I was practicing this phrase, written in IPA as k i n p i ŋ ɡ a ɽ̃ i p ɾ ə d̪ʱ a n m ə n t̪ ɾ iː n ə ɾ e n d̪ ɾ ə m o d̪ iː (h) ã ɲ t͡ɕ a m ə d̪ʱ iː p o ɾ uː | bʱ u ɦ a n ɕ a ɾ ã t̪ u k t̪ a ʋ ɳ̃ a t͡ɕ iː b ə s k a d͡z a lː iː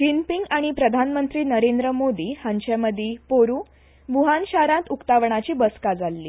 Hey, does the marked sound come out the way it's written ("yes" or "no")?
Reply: yes